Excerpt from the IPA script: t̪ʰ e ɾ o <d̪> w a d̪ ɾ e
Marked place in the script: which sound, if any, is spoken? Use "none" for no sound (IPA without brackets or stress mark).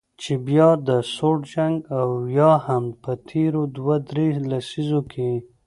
d̪